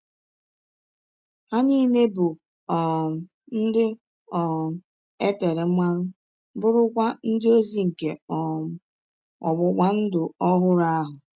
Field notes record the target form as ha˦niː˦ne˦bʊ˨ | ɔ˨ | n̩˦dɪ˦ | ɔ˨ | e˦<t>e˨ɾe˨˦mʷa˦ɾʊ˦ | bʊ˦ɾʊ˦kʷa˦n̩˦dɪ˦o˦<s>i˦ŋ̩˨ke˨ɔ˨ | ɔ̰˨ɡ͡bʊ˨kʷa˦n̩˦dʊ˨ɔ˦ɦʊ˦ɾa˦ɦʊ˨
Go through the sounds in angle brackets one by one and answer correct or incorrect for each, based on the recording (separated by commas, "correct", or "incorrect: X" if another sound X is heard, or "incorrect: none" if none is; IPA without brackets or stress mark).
correct, incorrect: z